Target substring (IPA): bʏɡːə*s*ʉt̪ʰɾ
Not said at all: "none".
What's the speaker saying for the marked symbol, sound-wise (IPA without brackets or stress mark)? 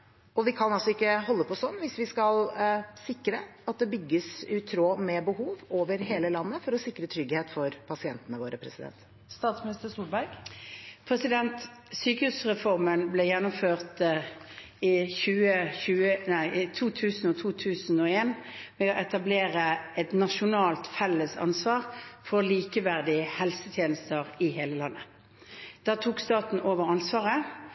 s